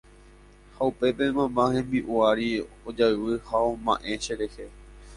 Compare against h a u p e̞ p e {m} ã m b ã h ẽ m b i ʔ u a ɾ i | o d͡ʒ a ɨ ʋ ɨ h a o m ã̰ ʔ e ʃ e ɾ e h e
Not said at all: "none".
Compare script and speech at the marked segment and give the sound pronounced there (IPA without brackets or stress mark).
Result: m